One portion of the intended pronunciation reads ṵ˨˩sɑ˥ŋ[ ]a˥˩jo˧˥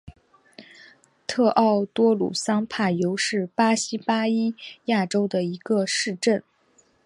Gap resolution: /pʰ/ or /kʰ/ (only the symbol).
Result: pʰ